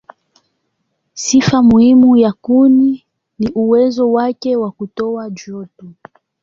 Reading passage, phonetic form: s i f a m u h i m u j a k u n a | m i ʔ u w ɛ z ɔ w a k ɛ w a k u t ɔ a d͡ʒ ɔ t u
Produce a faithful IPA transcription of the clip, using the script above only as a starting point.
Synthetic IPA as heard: s i f a m u h i m u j a k u n i | n i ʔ u w ɛ z ɔ w a k ɛ w a k u t ɔ a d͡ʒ ɔ t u